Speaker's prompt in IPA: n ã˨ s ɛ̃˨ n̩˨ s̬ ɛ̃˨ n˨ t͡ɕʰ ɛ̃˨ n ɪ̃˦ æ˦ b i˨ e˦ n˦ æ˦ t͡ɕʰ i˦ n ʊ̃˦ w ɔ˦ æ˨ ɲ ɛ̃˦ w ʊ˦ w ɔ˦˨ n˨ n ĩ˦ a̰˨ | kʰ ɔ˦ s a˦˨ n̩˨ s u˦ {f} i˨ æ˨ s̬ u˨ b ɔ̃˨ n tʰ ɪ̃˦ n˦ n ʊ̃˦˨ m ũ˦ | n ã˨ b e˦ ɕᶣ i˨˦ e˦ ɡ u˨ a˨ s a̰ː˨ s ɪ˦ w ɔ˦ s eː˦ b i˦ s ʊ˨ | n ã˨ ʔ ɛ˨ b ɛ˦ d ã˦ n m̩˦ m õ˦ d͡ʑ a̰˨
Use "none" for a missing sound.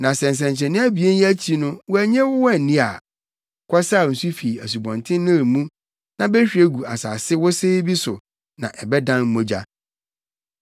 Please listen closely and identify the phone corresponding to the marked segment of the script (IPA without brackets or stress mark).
f